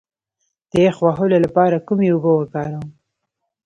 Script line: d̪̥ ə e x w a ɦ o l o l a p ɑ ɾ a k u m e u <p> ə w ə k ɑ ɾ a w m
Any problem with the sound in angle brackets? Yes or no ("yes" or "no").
yes